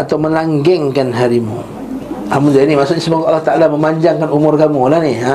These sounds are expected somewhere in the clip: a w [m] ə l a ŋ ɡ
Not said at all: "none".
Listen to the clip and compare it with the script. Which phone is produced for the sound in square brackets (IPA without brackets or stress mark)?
m